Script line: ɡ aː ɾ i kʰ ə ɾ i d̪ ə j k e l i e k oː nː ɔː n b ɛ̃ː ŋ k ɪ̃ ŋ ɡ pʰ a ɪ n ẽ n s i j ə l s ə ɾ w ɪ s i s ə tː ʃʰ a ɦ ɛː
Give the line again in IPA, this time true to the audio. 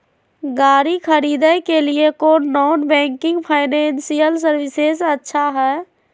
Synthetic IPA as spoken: ɡ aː ɾ i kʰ ə ɾ i d̪ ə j k e l i e k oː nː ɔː n b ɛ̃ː ŋ k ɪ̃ ŋ ɡ pʰ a ɪ n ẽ n s i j ə l s ə ɾ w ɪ s e s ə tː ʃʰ a ɦ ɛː